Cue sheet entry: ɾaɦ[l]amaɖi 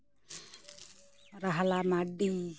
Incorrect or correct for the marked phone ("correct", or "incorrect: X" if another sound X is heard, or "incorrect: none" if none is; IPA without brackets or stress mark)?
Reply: correct